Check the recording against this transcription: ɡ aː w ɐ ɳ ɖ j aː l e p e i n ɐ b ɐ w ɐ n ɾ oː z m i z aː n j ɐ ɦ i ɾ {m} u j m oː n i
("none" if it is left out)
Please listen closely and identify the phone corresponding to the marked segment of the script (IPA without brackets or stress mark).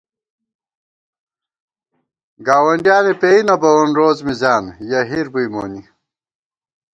b